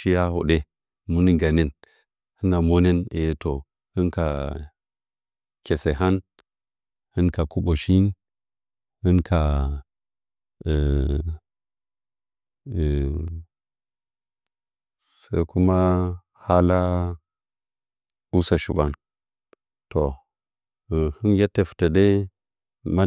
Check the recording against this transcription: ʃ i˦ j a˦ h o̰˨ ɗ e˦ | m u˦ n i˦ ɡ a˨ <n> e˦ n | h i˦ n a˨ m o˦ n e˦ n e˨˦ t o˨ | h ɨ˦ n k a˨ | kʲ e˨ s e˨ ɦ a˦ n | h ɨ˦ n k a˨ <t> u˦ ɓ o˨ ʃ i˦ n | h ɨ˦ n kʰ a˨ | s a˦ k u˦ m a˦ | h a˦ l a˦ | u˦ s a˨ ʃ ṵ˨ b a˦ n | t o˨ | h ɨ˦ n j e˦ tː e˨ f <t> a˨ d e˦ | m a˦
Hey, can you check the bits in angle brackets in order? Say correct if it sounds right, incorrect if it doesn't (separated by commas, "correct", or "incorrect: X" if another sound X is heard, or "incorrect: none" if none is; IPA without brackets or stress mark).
correct, incorrect: k, correct